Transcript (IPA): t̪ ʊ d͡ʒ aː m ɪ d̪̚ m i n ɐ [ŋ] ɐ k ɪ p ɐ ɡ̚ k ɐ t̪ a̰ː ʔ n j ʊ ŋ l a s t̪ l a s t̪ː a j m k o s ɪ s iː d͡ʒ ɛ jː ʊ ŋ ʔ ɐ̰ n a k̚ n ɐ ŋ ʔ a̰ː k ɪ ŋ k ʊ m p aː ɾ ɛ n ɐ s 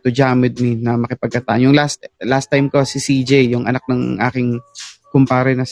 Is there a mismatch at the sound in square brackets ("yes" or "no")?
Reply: yes